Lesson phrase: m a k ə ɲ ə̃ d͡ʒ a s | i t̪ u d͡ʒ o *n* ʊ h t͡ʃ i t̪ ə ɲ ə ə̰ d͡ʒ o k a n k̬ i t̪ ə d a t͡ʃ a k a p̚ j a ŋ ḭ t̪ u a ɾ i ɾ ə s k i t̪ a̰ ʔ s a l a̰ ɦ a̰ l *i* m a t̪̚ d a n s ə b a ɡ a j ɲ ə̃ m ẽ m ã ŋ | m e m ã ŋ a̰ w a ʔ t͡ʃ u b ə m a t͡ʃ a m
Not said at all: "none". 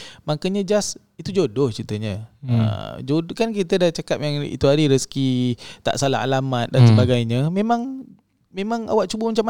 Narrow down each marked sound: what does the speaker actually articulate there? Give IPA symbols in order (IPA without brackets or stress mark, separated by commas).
d, a